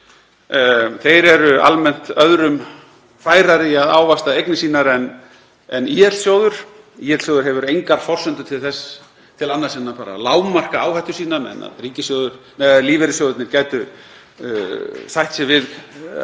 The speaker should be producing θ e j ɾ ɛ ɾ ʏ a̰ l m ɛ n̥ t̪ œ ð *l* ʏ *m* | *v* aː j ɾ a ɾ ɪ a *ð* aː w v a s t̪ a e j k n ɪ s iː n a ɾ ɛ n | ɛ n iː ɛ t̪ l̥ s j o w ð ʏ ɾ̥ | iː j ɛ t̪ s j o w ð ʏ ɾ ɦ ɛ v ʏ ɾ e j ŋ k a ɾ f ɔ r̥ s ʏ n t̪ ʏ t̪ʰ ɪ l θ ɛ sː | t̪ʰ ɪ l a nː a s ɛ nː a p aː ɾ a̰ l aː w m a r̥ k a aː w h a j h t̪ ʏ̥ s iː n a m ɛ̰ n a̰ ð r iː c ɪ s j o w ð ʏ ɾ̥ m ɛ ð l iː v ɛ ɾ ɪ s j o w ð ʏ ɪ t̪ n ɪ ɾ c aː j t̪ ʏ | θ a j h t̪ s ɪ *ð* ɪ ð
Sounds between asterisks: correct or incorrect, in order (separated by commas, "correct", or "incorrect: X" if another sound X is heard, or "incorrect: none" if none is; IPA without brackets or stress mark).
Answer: incorrect: ɾ, correct, incorrect: f, correct, incorrect: v